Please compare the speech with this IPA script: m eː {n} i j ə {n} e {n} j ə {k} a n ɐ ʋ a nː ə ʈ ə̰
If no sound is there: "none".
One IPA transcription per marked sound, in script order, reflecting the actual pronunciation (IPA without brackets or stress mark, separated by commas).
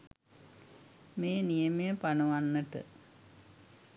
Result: n, m, none, p